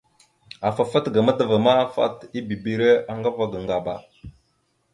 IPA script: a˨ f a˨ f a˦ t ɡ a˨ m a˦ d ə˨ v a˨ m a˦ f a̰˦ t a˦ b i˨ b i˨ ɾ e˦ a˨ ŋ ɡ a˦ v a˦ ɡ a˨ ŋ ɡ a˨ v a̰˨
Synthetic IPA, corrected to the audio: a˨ f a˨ f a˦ t ɡ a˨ m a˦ d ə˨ v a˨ m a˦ f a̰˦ t i˦ b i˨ b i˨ ɾ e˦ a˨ ŋ ɡ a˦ v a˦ ɡ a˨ ŋ ɡ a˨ b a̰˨